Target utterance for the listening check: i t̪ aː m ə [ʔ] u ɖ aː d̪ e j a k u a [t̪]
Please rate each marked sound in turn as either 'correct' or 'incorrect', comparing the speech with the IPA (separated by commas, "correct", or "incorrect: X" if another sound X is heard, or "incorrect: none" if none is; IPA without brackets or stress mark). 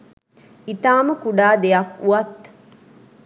incorrect: k, correct